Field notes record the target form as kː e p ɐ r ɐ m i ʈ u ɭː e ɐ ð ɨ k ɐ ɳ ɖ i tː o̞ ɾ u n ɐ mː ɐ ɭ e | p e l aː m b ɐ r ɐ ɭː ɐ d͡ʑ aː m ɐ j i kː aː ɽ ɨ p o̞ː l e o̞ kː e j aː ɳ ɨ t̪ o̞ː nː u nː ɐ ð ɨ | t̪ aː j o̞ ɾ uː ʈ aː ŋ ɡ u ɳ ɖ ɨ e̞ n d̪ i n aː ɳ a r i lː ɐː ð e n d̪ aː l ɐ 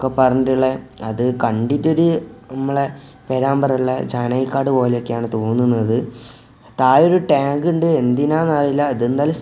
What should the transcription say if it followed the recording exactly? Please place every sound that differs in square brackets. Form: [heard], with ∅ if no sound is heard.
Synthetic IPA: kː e p ɐ r ɐ [ɲ] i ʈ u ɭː e ɐ ð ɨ k ɐ ɳ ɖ i tː o̞ ɾ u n ɐ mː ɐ ɭ e | p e [ɾ] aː m b ɐ r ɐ ɭː ɐ d͡ʑ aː [n] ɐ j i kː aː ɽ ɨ p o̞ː l e o̞ kː e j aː ɳ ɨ t̪ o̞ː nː u nː ɐ ð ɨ | t̪ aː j o̞ ɾ [u] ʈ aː ŋ ɡ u ɳ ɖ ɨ e̞ n d̪ i n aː [n] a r i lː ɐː ð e n d̪ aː l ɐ